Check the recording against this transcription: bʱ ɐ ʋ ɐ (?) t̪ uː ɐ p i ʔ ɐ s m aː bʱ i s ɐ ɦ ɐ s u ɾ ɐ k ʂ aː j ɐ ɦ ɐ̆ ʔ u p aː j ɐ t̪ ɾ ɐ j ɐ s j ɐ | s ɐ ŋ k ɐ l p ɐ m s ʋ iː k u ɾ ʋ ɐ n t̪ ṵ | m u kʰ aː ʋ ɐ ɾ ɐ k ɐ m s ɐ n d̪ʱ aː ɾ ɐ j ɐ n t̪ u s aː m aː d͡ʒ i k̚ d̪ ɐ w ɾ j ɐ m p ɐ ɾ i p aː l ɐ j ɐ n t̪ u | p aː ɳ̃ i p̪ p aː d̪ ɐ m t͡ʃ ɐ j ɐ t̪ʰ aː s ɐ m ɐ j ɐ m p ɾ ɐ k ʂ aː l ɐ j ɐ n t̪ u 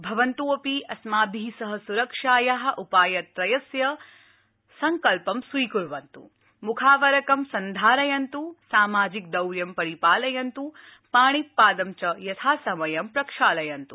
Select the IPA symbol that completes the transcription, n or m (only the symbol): n